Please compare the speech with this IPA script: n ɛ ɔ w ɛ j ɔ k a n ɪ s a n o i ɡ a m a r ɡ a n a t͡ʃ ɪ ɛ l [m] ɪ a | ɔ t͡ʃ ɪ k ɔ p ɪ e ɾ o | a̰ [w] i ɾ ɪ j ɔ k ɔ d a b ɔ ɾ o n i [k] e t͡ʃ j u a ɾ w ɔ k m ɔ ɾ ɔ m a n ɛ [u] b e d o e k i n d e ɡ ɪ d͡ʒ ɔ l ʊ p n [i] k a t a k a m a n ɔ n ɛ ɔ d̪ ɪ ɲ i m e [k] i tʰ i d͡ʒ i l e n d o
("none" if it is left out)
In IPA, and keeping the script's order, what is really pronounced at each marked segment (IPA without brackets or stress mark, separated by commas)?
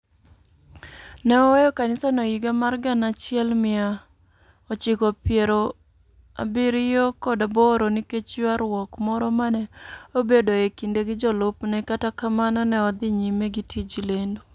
m, b, k, o, ɛ, ɡ